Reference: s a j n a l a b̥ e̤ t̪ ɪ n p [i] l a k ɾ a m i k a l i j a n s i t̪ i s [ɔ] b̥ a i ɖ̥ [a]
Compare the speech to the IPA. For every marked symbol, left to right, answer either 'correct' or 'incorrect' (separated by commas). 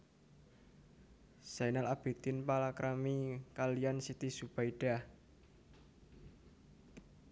incorrect, incorrect, correct